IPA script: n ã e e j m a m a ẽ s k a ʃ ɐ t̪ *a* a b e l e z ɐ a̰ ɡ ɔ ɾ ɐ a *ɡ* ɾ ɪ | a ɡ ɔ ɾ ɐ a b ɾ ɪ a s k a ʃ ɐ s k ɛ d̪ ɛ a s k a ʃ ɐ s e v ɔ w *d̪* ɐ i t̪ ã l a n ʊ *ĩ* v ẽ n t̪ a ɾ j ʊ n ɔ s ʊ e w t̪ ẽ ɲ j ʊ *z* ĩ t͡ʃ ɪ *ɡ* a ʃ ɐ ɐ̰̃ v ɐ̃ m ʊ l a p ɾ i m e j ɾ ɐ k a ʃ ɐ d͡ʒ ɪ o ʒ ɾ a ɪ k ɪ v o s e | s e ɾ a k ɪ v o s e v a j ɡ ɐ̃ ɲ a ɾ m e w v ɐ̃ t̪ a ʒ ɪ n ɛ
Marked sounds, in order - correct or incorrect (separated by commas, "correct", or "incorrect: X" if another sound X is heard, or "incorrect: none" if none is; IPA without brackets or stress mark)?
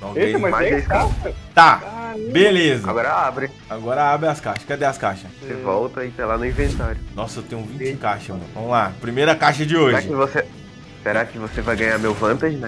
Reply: correct, incorrect: b, incorrect: t̪, correct, incorrect: v, incorrect: k